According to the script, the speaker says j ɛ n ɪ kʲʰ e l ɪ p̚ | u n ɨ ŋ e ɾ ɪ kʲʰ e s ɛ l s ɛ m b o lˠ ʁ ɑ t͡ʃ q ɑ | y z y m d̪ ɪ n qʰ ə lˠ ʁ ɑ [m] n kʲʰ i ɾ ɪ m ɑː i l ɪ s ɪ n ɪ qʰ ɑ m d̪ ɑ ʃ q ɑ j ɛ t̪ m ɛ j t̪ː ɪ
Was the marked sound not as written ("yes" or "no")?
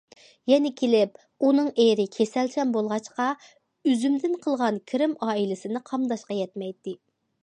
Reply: yes